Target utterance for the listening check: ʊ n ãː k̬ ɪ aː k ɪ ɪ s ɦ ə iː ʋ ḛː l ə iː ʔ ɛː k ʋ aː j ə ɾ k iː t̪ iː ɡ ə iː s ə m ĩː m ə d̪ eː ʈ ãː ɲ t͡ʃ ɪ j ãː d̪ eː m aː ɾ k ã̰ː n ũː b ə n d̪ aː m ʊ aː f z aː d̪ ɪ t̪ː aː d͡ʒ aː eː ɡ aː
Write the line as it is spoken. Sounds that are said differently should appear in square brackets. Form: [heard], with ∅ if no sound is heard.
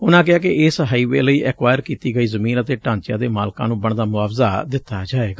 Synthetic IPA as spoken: ʊ n ãː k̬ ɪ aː k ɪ ɪ s ɦ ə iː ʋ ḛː l ə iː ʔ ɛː k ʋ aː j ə ɾ k iː t̪ iː ɡ ə iː [z] ə m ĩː [n] ə [t̪] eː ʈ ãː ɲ t͡ʃ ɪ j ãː d̪ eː m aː [l] k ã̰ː n ũː b ə [ɳ] d̪ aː m ʊ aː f z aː d̪ ɪ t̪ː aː d͡ʒ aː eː ɡ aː

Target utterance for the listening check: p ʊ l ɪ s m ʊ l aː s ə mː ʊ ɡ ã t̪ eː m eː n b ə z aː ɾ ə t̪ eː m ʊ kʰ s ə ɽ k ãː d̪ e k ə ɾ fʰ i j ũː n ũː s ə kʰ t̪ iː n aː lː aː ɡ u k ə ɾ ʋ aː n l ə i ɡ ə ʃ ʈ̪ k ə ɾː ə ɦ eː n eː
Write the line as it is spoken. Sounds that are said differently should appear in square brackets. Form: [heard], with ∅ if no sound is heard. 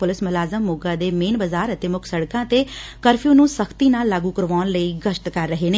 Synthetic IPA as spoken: p ʊ l ɪ s m ʊ l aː [z] ə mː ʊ ɡ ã [d̪] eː m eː n b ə z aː ɾ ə t̪ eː m ʊ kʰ s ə ɽ k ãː [t̪] e k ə ɾ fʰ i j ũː n ũː s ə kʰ t̪ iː n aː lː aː ɡ u k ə ɾ ʋ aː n l ə i ɡ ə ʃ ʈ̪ k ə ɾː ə ɦ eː n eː

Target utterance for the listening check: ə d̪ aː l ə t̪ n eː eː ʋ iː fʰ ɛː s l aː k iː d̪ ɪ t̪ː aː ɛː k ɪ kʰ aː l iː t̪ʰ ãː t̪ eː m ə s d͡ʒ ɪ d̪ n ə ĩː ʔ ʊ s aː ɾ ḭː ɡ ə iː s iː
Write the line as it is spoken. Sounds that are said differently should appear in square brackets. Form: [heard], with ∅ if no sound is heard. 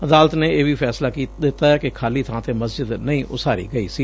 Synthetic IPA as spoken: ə d̪ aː l ə t̪ n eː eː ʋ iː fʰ ɛː s l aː k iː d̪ ɪ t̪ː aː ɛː k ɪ kʰ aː l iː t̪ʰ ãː t̪ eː m ə s d͡ʒ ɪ d̪ n ə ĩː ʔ ʊ s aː ɾ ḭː ɡ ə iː s iː

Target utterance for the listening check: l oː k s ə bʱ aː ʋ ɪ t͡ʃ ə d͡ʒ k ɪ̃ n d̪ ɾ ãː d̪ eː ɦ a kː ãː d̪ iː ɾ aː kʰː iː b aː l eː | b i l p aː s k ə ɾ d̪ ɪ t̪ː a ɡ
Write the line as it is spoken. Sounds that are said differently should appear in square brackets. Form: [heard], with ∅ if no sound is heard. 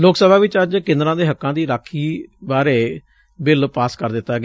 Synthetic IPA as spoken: l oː k s ə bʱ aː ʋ ɪ t͡ʃ ə d͡ʒ k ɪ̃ n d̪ ɾ ãː d̪ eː ɦ [ə] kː ãː d̪ iː ɾ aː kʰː iː b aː [ɾ] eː | b [ɪ] l p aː s k ə ɾ d̪ ɪ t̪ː a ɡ

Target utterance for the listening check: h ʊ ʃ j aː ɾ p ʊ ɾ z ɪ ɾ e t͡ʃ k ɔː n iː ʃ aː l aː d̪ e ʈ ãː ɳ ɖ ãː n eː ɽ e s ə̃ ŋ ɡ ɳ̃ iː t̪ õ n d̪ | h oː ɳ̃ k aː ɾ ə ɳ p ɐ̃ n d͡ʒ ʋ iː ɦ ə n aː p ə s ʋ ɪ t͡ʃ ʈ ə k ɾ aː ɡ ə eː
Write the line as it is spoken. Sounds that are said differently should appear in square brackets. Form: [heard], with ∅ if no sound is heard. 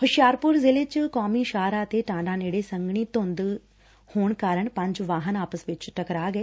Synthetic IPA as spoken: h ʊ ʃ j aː ɾ p ʊ ɾ z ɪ [l] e t͡ʃ k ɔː [m] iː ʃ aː [ɾ] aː [t̪] e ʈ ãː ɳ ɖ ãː n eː ɽ e s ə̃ ŋ ɡ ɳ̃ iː t̪ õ n d̪ | h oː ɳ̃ k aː ɾ ə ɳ p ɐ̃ [ɲ] d͡ʒ ʋ [aː] ɦ ə n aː p ə s ʋ ɪ t͡ʃ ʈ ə k ɾ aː ɡ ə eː

